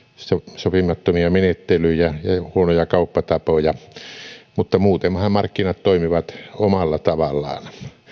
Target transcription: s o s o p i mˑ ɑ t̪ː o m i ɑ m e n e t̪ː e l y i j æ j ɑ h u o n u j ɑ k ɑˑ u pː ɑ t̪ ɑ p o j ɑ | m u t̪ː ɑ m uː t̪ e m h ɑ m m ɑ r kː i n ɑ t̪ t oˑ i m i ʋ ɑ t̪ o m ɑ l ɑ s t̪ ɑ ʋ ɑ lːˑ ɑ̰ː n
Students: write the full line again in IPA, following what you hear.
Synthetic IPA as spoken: s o s o p i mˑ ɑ t̪ː o m i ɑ m e n e t̪ː e l y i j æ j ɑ h u o n o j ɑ k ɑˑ u pː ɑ t̪ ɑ p o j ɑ | m u t̪ː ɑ m uː t̪ e m h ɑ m m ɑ r kː i n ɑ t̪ t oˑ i m i ʋ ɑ t̪ o m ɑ lː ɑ t̪ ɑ ʋ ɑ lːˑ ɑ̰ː n